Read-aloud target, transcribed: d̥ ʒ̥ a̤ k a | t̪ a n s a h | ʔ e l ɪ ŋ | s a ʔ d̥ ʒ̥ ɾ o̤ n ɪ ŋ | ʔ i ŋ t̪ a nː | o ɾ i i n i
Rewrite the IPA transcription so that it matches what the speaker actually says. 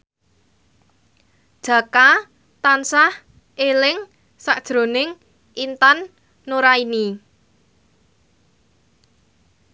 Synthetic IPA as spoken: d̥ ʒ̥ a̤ k a | t̪ a n s a h | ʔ e l ɪ ŋ | s a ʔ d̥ ʒ̥ ɾ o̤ n ɪ ŋ | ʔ i n t̪ a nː | o ɾ a i n i